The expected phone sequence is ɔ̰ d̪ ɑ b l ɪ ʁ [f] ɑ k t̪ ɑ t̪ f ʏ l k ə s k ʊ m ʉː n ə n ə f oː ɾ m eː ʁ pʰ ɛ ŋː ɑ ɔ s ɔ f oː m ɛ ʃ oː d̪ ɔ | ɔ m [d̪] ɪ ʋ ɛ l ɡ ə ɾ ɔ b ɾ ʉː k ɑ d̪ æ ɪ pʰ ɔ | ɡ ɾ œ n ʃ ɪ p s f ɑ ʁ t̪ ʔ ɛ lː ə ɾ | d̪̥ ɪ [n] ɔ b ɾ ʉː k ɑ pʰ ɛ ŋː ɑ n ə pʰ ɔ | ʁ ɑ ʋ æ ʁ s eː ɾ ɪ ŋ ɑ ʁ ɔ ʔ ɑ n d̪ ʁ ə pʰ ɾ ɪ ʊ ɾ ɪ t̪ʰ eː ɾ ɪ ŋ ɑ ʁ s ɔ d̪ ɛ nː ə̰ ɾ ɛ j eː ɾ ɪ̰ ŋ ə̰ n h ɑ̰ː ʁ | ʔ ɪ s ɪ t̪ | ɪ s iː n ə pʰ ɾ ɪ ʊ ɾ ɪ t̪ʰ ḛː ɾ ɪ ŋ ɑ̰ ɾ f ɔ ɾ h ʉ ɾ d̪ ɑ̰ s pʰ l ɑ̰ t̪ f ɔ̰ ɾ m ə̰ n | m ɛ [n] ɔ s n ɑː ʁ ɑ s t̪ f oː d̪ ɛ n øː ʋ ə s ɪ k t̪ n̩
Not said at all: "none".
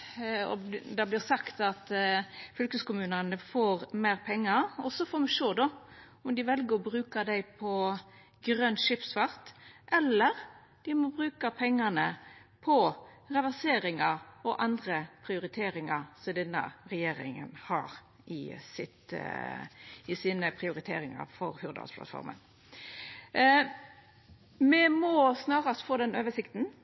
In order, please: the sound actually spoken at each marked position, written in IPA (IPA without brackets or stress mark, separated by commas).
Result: s, d̪, m, m